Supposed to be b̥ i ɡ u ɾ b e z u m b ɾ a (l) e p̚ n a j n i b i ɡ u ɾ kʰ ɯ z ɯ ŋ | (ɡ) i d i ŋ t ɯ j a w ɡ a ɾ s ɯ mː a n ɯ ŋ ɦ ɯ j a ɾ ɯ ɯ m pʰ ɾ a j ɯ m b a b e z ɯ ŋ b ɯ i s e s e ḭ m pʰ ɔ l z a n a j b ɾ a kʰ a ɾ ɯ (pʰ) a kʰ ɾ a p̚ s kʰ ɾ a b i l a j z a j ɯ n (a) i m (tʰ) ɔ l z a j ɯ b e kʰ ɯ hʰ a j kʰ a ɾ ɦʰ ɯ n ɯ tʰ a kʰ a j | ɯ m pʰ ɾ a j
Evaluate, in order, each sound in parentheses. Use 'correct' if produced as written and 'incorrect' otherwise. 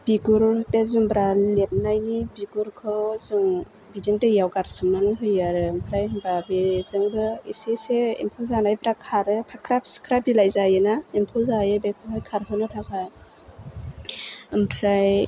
correct, incorrect: b, correct, correct, incorrect: pʰ

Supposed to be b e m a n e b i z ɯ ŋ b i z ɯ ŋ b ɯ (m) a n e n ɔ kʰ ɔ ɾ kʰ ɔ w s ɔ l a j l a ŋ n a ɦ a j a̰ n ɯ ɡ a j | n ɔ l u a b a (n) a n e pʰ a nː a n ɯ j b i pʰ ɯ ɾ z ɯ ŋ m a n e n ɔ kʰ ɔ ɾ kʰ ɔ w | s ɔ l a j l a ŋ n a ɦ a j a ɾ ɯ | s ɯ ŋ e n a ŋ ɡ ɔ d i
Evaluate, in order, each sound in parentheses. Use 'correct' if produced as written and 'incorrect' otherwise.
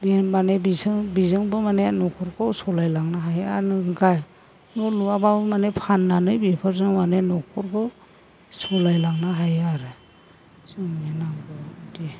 correct, incorrect: m

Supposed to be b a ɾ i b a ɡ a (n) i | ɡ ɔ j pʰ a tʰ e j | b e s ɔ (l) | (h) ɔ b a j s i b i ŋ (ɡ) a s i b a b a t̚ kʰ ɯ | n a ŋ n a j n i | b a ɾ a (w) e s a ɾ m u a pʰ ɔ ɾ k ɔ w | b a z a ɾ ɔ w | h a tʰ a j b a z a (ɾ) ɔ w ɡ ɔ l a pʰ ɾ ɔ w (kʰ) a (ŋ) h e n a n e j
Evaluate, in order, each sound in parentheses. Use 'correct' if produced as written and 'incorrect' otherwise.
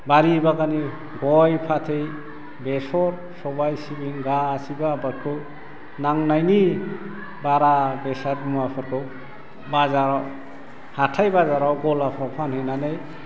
correct, incorrect: ɾ, incorrect: s, correct, incorrect: b, correct, incorrect: pʰ, incorrect: n

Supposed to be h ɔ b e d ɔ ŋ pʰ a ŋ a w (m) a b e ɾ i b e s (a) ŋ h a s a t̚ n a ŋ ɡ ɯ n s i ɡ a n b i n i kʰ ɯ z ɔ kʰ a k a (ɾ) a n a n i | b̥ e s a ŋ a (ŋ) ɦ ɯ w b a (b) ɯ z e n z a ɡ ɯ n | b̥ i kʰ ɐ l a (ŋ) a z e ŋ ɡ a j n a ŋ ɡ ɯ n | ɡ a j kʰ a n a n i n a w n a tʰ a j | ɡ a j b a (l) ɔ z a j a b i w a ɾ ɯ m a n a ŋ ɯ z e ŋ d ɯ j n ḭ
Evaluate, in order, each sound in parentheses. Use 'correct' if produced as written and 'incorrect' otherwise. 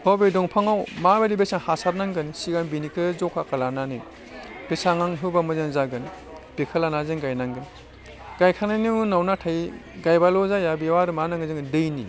correct, correct, incorrect: l, correct, incorrect: m, incorrect: n, correct

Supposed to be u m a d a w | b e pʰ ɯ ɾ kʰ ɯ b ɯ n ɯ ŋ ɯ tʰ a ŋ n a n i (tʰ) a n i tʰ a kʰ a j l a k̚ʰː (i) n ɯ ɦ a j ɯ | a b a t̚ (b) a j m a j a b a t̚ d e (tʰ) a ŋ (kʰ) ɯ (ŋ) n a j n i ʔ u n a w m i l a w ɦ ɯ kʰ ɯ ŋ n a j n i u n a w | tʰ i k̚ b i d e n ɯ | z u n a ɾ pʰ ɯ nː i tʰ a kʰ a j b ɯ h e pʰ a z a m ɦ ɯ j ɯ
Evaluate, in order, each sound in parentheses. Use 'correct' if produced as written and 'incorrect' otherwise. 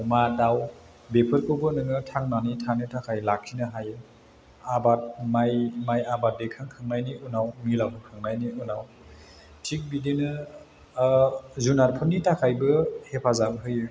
correct, correct, incorrect: m, incorrect: kʰ, correct, correct

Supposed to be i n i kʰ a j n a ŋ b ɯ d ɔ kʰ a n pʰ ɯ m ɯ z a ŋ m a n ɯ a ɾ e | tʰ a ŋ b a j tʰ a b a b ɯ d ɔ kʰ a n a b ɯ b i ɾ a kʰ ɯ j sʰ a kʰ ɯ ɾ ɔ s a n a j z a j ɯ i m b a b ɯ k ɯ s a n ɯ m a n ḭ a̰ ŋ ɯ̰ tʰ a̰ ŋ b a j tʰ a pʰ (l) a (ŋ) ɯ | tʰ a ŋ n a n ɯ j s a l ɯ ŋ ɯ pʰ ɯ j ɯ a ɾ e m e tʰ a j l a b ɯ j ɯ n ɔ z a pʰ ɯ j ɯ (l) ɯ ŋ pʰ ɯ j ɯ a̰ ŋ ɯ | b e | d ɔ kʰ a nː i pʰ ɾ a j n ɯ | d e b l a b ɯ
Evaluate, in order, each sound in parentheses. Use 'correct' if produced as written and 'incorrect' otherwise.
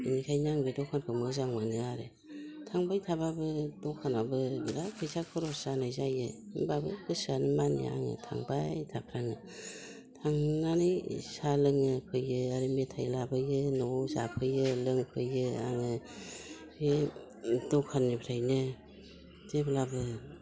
incorrect: ɾ, correct, correct

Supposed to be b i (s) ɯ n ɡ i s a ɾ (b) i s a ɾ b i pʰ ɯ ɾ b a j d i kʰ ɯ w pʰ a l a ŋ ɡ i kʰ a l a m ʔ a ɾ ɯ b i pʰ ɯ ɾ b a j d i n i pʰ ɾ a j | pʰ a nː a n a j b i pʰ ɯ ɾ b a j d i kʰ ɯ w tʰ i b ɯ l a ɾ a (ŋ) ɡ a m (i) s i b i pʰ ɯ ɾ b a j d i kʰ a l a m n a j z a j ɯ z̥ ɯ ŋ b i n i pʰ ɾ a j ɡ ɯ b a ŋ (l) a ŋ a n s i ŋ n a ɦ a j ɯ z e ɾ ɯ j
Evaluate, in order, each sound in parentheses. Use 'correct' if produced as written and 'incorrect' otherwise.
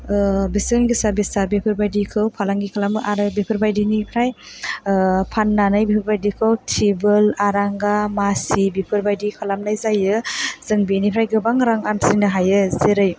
correct, correct, correct, incorrect: a, incorrect: ɾ

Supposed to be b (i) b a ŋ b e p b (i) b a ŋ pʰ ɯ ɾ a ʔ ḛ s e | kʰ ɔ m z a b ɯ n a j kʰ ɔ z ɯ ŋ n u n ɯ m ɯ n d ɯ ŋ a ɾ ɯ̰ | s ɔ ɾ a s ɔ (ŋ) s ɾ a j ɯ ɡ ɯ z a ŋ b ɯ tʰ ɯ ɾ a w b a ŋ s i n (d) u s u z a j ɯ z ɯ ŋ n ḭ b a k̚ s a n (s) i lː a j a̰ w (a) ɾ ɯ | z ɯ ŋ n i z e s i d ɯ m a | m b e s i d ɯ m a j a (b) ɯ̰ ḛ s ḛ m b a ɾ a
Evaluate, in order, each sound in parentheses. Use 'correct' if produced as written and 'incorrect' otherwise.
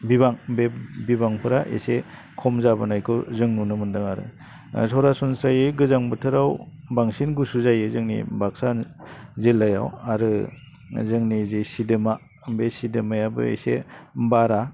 correct, correct, incorrect: n, incorrect: ɡ, incorrect: z, correct, correct

